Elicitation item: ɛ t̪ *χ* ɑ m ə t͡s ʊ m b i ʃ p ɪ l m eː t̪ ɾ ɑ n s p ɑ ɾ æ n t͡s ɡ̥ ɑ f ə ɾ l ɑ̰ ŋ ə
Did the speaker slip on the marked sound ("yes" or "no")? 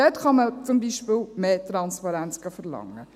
no